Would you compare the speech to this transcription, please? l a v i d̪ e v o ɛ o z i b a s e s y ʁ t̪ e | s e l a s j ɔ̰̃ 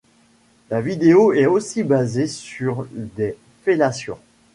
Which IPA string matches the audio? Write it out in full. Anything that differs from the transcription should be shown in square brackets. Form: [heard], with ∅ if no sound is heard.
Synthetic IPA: l a v i d̪ e [∅] o ɛ o [s] i b a [z] e s y ʁ [d̪] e | [f] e l a s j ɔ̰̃